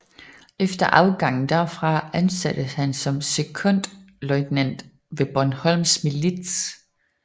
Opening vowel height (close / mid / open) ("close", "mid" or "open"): mid